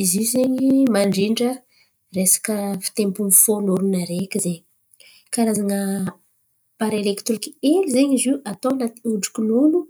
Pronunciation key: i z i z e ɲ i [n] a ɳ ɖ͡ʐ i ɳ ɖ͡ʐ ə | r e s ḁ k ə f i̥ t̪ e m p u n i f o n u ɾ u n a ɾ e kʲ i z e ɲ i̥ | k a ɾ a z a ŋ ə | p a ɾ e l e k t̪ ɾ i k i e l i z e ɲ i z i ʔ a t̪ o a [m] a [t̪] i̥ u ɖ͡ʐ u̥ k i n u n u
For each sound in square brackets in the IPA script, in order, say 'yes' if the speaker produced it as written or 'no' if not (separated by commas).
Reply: no, no, yes